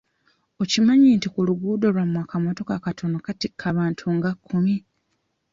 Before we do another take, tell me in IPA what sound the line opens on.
o̞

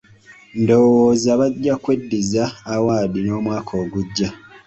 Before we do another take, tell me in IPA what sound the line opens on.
n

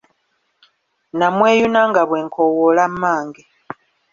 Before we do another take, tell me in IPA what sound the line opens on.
n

